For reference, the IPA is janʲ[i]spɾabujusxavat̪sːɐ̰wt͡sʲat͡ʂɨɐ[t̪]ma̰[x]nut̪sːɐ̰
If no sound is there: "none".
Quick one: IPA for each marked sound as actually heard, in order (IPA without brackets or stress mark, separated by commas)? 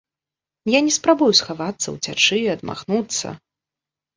ɛ, d̪, x